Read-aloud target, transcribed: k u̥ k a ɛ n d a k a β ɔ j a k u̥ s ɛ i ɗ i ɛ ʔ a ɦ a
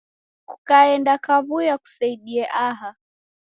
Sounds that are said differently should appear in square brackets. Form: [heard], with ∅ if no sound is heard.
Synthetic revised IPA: k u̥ k a ɛ n d a k a β [u] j a k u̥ s [a] i ɗ i ɛ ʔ a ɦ a